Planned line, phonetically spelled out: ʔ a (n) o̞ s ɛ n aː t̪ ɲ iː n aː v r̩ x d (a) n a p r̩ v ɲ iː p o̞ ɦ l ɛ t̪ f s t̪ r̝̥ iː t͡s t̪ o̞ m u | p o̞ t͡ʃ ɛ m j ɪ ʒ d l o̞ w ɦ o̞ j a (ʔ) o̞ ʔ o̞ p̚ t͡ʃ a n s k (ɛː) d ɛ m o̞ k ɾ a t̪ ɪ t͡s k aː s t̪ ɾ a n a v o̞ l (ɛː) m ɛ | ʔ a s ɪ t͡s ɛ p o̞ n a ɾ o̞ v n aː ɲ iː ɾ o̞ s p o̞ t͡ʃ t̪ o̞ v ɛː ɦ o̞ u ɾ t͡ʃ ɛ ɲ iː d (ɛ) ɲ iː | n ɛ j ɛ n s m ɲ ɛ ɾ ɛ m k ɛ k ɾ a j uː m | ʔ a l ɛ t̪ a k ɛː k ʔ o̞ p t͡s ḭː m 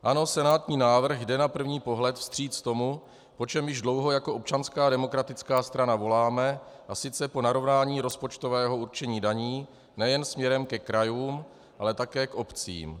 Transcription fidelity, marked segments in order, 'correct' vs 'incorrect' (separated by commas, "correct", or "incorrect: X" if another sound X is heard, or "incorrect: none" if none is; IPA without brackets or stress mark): correct, incorrect: ɛ, incorrect: k, incorrect: aː, incorrect: aː, incorrect: a